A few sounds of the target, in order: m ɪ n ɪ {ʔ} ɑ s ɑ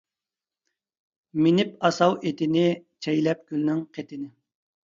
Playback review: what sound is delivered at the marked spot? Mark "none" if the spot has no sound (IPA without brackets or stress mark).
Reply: p